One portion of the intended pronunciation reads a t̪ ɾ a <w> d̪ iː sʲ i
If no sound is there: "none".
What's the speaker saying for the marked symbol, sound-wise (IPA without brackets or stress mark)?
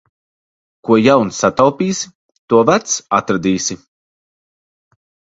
none